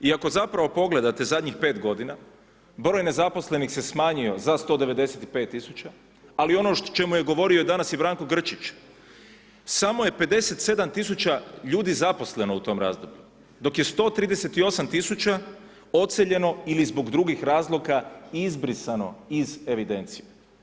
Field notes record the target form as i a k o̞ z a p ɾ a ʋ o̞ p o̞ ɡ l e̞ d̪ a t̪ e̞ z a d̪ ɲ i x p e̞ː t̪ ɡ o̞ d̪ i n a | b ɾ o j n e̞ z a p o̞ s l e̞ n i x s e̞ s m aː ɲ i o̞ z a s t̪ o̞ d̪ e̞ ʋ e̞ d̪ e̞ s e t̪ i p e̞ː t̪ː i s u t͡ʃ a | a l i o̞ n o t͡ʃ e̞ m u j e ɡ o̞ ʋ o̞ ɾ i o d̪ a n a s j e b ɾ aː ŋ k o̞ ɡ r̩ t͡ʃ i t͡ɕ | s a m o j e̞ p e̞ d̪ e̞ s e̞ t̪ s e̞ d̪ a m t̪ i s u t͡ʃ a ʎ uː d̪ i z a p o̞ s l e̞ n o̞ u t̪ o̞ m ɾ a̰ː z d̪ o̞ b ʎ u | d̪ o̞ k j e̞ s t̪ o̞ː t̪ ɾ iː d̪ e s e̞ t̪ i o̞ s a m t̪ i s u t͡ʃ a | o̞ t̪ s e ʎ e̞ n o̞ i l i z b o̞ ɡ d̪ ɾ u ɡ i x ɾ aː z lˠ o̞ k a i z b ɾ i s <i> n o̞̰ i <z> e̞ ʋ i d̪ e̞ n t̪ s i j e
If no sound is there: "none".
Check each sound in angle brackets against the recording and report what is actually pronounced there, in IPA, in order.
a, z

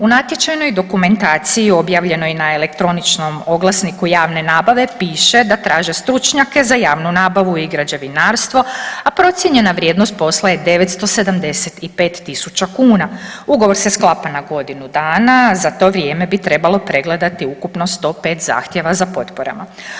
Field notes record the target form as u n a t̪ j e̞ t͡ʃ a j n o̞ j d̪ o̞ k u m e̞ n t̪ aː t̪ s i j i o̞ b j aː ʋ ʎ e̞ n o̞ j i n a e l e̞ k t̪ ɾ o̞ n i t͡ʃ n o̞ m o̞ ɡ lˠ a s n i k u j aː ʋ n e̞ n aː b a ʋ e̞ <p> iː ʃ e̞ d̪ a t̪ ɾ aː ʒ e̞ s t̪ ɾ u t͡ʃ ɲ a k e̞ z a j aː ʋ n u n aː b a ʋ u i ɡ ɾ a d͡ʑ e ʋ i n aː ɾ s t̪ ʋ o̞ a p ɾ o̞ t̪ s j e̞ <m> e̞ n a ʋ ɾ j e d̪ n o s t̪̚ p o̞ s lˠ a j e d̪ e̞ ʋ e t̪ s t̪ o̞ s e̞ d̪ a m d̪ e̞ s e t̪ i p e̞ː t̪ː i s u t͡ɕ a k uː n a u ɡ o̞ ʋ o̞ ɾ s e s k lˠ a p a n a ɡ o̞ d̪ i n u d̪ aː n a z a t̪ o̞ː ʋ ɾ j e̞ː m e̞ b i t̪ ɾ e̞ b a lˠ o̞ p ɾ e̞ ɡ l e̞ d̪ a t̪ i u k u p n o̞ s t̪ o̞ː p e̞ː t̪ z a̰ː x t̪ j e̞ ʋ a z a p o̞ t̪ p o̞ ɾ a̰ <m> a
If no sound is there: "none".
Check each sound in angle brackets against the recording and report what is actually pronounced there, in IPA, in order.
p, ɲ, m

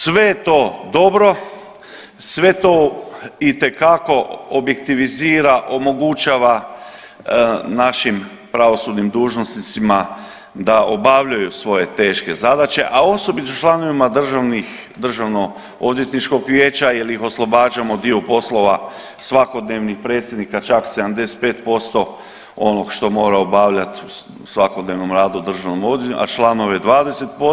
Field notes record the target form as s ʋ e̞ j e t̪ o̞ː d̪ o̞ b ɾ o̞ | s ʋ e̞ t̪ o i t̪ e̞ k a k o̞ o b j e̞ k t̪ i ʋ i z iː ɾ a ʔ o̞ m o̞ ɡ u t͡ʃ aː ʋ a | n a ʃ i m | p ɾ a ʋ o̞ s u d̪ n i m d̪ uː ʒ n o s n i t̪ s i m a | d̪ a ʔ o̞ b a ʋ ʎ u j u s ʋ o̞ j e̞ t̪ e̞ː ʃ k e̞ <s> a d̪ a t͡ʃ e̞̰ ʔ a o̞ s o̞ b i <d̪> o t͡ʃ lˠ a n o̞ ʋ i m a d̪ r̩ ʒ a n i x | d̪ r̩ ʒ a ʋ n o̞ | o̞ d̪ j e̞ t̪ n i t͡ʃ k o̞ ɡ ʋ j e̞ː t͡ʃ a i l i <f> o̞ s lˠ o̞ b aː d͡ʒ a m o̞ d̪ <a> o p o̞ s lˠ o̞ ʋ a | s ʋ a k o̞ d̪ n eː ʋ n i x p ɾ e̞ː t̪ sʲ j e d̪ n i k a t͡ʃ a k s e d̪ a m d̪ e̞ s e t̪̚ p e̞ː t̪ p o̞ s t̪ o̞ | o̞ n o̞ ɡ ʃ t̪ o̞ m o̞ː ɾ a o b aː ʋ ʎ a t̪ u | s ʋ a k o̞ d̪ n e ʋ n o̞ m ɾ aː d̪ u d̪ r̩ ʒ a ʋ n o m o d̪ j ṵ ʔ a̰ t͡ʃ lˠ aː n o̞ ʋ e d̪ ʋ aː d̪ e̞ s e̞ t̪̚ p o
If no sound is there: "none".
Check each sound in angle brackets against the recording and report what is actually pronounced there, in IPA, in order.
z, t̪, x, i

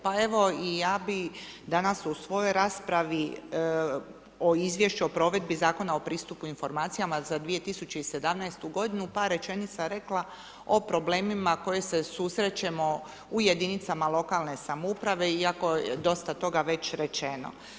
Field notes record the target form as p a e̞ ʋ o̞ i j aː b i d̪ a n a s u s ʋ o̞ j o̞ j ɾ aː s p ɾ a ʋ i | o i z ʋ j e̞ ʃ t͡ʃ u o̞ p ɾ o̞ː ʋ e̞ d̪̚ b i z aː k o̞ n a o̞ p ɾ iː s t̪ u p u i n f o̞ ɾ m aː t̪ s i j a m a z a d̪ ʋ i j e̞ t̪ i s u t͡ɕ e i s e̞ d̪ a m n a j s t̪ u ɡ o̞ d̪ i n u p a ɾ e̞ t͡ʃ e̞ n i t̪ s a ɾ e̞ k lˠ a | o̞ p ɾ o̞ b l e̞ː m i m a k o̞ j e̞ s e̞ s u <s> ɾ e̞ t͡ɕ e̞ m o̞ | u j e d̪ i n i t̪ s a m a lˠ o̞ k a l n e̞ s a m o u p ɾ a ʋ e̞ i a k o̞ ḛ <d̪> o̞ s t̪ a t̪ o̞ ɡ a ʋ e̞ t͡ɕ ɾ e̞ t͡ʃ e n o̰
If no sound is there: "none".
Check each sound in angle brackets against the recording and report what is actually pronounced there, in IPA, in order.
s, d̪

